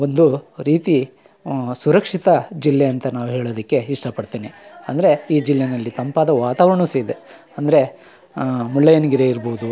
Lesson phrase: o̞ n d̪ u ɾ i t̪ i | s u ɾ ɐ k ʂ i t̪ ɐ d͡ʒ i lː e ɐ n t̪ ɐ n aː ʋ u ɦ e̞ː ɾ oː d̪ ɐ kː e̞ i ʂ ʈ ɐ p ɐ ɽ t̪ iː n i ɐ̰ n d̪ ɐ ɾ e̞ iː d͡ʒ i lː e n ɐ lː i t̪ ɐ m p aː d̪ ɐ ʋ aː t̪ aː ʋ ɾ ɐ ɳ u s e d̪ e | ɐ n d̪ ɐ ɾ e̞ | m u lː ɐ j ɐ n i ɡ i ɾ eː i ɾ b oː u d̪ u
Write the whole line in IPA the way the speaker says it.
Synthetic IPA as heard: o̞ n d̪ u ɾ iː t̪ i | s u ɾ ɐ k ʂ i t̪ ɐ d͡ʒ i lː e ɐ n t̪ ɐ n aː ʋ u ɦ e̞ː ɭ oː d̪ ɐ kː e̞ i ʂ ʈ ɐ p ɐ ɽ t̪ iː n i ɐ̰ n d̪ ɐ ɾ e̞ iː d͡ʒ i lː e n ɐ lː i t̪ ɐ m p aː d̪ ɐ ʋ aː t̪ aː ʋ ɾ ɐ ɳ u s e d̪ e | ɐ n d̪ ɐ ɾ e̞ | m u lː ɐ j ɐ n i ɡ i ɾ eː i ɾ b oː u d̪ u